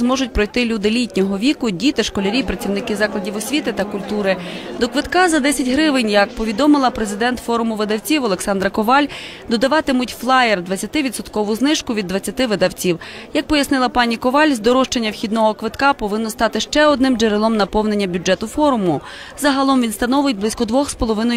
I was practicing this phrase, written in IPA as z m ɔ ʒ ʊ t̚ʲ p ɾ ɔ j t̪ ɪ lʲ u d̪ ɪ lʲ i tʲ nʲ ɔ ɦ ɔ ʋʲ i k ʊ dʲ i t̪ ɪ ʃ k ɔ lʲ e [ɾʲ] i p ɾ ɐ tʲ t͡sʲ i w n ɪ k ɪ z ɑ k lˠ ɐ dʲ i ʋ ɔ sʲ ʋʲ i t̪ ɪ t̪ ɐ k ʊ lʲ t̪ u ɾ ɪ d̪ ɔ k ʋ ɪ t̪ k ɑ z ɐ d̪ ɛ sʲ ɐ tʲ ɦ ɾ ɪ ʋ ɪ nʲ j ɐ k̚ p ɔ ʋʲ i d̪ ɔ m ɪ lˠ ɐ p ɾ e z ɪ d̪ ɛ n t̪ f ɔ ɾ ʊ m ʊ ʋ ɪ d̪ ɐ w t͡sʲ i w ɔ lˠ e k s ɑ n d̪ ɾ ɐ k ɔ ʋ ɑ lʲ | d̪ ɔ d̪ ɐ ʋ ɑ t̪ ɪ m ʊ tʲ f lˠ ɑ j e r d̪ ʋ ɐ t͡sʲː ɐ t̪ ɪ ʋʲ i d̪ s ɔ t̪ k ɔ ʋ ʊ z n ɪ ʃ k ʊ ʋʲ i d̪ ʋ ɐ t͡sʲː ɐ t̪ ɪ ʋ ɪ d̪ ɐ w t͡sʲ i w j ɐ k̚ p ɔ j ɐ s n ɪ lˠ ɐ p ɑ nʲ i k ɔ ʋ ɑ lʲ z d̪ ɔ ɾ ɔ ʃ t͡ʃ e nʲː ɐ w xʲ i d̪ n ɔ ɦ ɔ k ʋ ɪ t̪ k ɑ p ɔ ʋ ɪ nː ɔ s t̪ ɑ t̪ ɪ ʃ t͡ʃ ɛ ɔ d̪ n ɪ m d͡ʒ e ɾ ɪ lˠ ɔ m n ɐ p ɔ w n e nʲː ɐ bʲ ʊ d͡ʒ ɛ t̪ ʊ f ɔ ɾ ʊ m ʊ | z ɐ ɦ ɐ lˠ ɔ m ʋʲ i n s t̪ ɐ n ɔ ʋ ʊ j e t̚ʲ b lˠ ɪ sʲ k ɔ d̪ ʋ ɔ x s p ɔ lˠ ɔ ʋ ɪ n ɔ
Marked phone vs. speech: correct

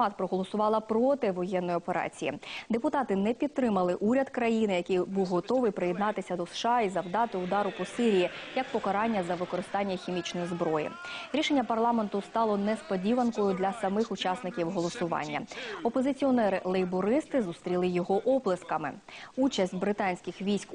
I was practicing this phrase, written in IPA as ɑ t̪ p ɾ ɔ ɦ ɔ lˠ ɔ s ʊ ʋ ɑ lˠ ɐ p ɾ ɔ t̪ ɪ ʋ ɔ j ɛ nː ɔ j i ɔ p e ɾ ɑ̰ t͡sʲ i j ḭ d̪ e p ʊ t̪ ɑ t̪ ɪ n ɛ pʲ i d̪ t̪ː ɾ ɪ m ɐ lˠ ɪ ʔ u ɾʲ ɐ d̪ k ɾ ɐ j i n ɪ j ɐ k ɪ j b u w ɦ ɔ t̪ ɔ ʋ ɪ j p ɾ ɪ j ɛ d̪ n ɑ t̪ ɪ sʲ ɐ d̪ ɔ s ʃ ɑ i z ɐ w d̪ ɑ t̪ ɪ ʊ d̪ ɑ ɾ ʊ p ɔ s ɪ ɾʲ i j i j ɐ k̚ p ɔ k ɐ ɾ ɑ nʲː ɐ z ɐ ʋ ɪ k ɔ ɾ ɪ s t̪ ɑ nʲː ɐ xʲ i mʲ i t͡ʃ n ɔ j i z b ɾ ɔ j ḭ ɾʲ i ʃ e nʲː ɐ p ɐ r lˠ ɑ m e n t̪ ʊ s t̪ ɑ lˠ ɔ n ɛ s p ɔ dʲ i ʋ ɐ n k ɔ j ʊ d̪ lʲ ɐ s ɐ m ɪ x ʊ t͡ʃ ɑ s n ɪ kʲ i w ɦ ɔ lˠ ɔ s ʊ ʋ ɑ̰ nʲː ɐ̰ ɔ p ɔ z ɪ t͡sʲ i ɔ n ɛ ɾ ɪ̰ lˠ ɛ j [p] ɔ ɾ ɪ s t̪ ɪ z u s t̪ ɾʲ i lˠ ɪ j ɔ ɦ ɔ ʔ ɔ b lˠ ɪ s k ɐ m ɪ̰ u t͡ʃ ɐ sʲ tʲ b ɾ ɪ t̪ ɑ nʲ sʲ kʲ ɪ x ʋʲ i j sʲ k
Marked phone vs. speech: incorrect: b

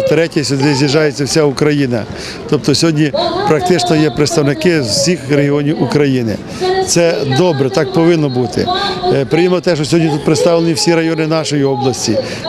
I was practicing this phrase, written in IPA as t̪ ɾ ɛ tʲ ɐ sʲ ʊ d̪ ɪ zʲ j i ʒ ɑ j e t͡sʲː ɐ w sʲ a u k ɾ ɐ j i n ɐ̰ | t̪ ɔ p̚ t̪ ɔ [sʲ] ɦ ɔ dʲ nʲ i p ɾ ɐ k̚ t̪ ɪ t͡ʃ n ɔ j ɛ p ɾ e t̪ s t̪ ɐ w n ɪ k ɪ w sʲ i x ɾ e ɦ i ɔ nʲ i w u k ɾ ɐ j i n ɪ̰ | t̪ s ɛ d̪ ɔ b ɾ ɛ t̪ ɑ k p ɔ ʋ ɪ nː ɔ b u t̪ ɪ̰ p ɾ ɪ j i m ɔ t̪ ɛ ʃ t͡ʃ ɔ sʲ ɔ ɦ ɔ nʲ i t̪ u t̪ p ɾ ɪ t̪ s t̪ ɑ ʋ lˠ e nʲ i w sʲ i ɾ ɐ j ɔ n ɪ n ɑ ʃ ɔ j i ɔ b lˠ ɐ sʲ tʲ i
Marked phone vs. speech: correct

